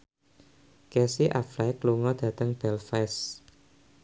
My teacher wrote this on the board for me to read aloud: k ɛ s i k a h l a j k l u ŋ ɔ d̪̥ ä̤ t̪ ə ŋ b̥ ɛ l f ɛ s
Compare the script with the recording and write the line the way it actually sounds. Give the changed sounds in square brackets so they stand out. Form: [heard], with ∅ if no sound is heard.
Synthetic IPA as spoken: k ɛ s i [ʔ] a [f] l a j k l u ŋ ɔ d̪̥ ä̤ t̪ ə ŋ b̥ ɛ l f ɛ s